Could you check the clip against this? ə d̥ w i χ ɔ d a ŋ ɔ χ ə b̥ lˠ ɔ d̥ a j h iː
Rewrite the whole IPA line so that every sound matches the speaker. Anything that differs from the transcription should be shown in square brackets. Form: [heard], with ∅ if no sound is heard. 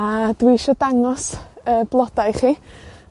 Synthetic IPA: [a] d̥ w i [ʃ] ɔ d a ŋ ɔ [s] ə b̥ lˠ ɔ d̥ a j [χ] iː